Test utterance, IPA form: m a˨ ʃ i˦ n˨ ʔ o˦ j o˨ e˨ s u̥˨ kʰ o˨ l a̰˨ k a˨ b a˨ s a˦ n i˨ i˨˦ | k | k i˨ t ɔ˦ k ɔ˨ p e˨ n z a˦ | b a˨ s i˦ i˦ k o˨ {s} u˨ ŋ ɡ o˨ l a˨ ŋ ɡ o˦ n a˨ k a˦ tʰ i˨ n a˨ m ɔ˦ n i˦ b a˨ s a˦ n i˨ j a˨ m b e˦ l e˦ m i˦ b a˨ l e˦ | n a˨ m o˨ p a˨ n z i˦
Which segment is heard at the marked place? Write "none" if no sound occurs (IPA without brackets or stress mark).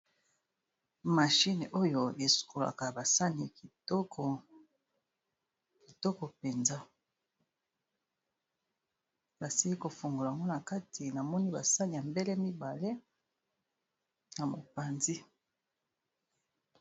f